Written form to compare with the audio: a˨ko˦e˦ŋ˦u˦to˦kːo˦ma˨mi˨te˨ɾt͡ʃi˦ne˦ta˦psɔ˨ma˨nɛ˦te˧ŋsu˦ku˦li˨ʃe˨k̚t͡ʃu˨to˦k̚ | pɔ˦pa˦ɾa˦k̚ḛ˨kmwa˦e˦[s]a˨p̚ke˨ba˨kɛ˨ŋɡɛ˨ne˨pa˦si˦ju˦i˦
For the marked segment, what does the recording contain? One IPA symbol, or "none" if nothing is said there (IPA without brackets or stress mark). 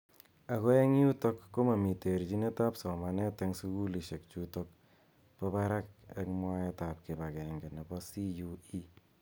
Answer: t